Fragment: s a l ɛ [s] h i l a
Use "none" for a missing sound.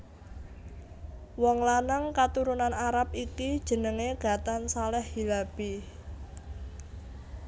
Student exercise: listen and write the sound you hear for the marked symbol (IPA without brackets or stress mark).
h